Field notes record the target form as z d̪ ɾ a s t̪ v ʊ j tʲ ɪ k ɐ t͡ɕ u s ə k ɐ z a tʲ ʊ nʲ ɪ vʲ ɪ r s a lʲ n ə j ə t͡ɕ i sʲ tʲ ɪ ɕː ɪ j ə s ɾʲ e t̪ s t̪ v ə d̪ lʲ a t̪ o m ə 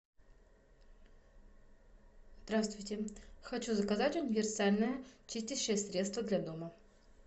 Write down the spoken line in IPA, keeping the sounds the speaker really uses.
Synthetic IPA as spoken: z d̪ ɾ a s t̪ v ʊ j tʲ ɪ x ɐ t͡ɕ u z ə k ɐ z a tʲ ʊ nʲ ɪ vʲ ɪ r s a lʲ n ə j ə t͡ɕ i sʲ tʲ ɪ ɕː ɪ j ə s ɾʲ e t̪ s t̪ v ə d̪ lʲ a d̪ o m ə